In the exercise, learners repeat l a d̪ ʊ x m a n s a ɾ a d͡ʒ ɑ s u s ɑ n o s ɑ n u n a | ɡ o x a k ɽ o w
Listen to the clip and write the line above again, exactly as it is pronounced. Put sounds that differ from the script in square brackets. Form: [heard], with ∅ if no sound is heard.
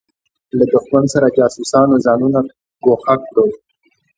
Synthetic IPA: l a d̪ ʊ x m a n s a ɾ a d͡ʒ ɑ s u s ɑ n o [z] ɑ n u n a | ɡ o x a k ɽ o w